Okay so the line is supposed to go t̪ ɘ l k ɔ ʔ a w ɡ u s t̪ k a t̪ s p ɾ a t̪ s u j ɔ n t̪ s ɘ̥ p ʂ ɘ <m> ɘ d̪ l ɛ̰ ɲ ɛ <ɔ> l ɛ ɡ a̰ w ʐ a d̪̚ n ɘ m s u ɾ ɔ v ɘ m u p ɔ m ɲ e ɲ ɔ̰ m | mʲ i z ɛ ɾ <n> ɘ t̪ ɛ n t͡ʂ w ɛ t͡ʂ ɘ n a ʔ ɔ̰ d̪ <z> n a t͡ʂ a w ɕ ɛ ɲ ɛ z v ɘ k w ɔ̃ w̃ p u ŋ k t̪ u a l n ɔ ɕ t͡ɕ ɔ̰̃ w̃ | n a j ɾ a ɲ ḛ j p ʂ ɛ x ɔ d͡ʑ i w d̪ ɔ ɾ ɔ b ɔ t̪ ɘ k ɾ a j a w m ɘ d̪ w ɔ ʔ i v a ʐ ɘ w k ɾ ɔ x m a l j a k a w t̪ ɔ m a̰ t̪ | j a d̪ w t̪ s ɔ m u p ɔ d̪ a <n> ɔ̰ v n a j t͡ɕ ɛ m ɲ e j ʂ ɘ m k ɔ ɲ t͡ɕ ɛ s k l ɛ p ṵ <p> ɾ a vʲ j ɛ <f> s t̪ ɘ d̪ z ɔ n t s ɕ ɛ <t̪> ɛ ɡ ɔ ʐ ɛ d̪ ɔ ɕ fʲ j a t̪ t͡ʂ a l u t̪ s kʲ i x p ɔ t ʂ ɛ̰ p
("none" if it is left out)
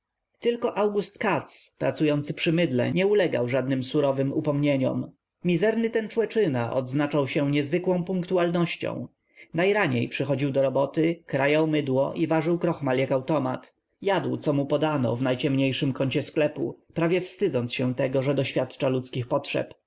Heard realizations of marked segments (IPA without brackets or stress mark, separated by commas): m, u, n, z, n, p, f, t̪